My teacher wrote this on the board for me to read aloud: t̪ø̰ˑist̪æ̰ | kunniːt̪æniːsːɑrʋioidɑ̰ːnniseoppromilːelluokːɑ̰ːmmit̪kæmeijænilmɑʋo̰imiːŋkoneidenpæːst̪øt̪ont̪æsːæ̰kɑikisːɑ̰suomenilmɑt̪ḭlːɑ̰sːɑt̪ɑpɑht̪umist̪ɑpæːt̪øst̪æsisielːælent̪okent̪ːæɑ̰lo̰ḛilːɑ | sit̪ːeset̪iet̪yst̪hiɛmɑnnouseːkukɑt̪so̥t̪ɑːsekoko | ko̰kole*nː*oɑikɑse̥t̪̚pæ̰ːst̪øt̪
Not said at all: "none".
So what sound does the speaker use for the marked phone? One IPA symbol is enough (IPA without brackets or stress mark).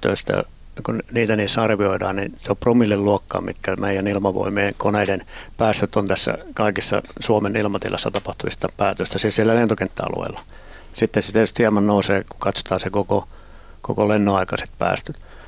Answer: nː